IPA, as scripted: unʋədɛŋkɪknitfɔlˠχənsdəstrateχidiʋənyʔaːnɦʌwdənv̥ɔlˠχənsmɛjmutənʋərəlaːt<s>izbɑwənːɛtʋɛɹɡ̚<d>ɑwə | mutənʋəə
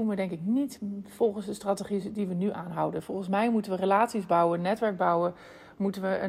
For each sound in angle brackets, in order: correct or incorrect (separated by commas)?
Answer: correct, incorrect